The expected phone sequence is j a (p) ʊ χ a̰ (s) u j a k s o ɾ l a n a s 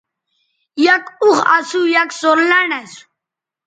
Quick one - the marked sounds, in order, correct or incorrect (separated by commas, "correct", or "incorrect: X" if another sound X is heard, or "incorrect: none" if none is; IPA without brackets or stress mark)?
incorrect: k, correct